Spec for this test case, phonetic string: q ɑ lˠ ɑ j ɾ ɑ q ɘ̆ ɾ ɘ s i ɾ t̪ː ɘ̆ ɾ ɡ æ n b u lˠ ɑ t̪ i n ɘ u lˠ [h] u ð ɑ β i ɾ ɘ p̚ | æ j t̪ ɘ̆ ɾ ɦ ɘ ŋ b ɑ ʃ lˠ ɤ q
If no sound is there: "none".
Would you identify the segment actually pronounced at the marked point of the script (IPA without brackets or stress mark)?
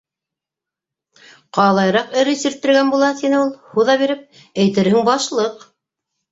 h